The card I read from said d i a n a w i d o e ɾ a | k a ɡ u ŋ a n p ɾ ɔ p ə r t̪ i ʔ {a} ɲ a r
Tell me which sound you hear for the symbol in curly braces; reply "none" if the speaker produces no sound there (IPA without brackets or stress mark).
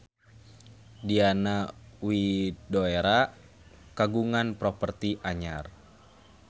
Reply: a